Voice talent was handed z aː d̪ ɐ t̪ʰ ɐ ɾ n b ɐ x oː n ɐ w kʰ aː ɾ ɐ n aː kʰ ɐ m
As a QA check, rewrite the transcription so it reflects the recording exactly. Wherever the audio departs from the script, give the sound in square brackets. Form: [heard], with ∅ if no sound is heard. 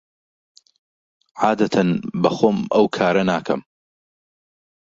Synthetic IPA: [ʕ] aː d̪ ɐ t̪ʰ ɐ [∅] n b ɐ x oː [m] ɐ w kʰ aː ɾ ɐ n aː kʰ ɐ m